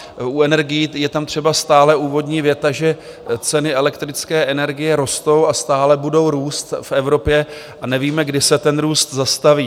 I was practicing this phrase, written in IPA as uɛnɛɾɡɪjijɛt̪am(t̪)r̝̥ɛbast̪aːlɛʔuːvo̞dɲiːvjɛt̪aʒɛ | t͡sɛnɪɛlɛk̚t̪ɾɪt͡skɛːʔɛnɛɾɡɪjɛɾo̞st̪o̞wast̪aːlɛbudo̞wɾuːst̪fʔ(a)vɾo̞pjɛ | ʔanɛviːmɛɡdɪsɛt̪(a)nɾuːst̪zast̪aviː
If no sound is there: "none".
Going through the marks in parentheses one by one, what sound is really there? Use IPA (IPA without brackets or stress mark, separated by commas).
t̪, ɛ, ɛ